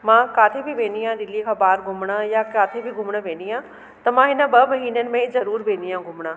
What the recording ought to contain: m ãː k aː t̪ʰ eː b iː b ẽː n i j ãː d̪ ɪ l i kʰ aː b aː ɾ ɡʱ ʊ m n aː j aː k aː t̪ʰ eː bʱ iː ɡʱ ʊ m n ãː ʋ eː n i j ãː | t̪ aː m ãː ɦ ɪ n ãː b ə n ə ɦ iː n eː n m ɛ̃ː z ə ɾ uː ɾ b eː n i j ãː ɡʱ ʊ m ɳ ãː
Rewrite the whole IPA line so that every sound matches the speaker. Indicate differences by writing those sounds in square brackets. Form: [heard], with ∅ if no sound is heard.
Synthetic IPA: m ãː k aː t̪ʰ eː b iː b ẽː n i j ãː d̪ ɪ l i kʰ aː b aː ɾ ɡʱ ʊ m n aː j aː k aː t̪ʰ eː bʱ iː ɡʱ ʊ m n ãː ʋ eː n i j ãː | t̪ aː m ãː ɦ ɪ n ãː b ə [m] ə ɦ iː n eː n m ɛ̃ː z ə ɾ uː ɾ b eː n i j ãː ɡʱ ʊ m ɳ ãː